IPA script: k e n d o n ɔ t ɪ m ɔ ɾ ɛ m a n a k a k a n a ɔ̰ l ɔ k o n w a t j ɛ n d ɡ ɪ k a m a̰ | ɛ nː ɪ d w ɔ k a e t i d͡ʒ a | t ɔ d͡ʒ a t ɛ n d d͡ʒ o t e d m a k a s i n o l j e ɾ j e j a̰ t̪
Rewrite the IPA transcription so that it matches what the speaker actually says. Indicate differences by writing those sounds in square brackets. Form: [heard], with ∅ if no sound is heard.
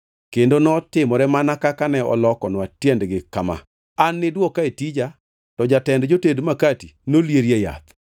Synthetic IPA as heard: k e n d o n ɔ t ɪ m ɔ ɾ ɛ m a n a k a k a n [ɛ] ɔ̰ l ɔ k [ɔ] n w a t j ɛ n d ɡ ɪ k a m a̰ | [a] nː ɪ d w ɔ k a e t i d͡ʒ a | t ɔ d͡ʒ a t ɛ n d d͡ʒ o t e d m a k a [t] i n o l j e ɾ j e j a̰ t̪